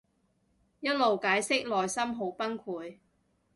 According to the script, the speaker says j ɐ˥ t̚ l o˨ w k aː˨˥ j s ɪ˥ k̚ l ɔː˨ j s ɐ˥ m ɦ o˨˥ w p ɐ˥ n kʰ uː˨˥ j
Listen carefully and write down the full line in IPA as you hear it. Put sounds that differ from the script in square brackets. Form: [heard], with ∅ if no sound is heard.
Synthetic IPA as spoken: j ɐ˥ t̚ l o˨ w k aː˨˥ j s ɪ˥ k̚ l ɔː˨ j s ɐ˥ m ɦ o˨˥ w p ɐ˥ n kʰ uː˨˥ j